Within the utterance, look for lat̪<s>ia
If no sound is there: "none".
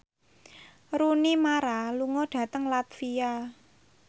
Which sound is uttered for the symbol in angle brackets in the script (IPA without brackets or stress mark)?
f